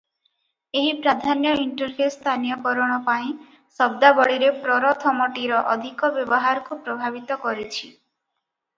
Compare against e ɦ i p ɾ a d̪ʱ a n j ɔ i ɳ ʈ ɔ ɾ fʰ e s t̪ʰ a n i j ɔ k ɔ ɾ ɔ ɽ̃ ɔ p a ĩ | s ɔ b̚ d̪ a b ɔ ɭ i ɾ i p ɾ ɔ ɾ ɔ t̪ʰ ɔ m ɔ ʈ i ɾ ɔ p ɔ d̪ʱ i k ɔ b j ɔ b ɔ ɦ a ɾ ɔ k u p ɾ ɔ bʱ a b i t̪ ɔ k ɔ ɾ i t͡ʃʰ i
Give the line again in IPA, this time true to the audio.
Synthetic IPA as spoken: e ɦ i p ɾ a d̪ʱ a n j ɔ i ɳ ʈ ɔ ɾ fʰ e s t̪ʰ a n i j ɔ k ɔ ɾ ɔ ɽ̃ ɔ p a ĩ | s ɔ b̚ d̪ a b ɔ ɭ i ɾ e p ɾ ɔ ɾ ɔ t̪ʰ ɔ m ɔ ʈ i ɾ ɔ ʔ ɔ d̪ʱ i k ɔ b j ɔ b ɔ ɦ a ɾ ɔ k u p ɾ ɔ bʱ a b i t̪ ɔ k ɔ ɾ i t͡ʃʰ i